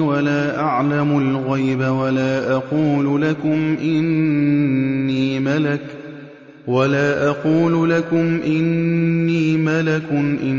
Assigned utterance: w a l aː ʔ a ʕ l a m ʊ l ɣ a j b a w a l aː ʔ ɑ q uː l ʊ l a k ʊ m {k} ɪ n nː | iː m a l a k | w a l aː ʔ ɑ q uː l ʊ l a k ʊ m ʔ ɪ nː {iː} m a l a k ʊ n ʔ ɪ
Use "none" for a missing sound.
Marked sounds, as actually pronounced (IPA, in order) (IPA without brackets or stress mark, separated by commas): ʔ, iː